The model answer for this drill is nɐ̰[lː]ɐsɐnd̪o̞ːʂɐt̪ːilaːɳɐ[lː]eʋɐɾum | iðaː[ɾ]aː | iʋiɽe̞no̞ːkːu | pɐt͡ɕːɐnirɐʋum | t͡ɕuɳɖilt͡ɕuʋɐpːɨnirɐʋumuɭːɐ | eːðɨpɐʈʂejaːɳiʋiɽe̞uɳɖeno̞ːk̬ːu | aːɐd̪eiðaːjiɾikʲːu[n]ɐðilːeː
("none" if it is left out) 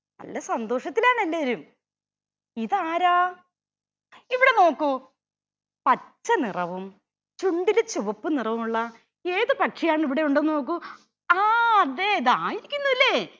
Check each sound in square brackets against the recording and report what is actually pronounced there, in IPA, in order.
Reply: lː, lː, ɾ, nː

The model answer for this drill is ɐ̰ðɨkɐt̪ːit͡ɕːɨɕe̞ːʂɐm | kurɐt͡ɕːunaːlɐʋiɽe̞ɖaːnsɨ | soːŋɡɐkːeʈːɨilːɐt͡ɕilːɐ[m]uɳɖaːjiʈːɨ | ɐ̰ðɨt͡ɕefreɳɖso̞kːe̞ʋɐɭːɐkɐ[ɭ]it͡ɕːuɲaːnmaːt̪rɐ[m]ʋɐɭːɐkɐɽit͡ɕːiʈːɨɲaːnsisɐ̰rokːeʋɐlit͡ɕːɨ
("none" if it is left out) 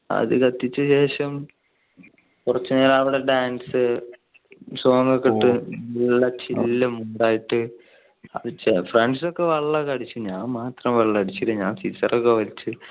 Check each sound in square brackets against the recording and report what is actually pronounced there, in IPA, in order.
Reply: m, ɽ, m

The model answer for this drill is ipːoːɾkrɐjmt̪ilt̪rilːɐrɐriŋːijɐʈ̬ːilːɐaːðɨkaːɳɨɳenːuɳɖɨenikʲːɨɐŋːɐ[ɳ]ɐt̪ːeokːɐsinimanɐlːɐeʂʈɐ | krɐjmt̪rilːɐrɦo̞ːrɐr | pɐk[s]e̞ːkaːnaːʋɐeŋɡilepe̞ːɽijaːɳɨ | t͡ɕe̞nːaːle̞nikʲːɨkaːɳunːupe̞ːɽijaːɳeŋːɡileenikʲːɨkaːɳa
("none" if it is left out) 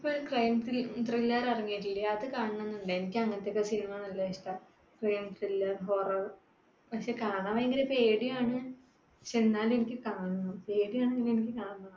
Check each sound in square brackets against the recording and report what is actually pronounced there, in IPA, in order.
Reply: n, ʂ

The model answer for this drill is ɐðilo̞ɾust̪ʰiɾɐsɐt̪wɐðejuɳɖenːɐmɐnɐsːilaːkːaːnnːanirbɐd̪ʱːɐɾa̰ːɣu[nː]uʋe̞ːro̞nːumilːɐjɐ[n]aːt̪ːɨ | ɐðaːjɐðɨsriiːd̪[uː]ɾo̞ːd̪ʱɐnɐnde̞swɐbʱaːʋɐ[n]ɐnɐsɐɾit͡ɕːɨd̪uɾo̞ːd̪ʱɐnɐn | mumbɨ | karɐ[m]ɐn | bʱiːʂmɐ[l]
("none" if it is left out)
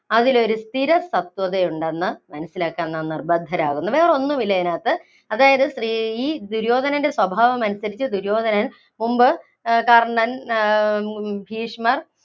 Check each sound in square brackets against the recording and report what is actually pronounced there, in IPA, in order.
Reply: nː, n, u, m, ɳ, r

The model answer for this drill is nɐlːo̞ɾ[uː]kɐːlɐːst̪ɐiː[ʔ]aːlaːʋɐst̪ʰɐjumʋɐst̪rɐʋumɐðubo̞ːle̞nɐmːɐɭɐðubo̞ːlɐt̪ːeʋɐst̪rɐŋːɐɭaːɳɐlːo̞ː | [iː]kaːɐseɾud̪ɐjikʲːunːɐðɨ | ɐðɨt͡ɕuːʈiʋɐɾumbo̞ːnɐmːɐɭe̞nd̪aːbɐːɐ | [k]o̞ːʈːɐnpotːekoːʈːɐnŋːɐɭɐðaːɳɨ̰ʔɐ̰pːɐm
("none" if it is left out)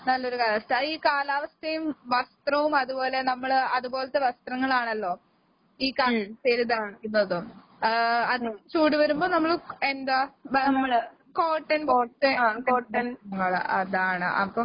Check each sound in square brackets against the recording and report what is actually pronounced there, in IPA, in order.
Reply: u, k, iː, k

